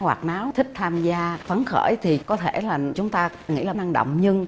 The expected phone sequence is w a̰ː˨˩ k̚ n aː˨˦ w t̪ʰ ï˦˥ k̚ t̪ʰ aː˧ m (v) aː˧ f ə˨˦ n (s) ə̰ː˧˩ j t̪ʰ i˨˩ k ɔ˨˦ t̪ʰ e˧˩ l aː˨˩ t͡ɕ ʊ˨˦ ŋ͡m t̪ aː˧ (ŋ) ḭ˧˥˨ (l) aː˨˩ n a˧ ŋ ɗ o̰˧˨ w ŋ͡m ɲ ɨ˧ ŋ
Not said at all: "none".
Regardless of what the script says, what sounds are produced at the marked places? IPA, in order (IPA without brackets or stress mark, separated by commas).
z, x, ŋ, l